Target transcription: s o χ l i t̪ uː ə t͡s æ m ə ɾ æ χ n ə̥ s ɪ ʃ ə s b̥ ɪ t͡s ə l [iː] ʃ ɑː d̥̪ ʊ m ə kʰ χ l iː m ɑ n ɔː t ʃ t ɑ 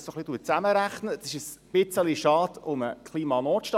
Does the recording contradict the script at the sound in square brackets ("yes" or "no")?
yes